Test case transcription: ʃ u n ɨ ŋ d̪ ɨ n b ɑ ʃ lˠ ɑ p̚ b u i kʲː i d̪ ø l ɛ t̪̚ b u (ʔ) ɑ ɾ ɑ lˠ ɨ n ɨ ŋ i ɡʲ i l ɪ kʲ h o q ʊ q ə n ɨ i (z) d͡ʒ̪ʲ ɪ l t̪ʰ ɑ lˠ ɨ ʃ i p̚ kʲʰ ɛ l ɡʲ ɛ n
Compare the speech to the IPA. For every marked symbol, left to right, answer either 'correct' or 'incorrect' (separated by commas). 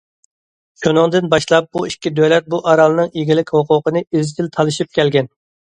correct, correct